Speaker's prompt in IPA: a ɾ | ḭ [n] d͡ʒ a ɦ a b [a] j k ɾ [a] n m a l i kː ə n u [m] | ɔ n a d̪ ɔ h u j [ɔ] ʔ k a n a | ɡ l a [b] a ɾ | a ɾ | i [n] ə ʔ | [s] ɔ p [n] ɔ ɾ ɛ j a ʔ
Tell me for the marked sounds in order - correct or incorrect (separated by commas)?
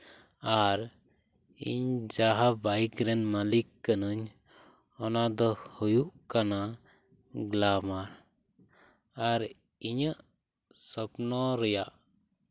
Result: incorrect, correct, incorrect, incorrect, incorrect, incorrect, incorrect, correct, correct